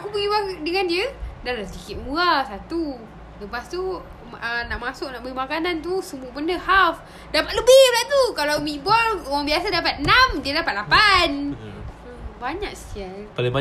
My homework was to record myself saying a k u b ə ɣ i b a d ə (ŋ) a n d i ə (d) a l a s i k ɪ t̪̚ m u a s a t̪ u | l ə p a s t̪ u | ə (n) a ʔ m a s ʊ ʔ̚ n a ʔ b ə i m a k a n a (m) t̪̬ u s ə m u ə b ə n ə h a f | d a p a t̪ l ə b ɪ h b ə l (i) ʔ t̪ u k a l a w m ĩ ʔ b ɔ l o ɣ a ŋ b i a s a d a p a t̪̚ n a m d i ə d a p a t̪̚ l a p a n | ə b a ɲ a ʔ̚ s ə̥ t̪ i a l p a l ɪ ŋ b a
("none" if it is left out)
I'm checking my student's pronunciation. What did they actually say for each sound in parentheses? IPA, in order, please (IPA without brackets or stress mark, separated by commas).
ŋ, d, n, n, a